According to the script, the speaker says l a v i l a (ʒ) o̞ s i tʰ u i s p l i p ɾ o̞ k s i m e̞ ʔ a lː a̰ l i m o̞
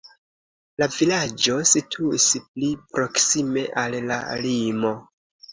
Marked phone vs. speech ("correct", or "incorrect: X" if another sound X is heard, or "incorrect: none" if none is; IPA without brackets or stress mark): incorrect: d͡ʒ